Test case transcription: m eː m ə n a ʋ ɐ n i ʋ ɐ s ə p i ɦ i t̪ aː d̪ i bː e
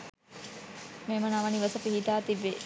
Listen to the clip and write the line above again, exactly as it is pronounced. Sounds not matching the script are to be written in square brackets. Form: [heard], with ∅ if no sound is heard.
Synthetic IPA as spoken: m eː m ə n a ʋ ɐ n i ʋ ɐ s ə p i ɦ i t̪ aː [t̪] i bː e